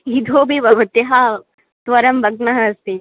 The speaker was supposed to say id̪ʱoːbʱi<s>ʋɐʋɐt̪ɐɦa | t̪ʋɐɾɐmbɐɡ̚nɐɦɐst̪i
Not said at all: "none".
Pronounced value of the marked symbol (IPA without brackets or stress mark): none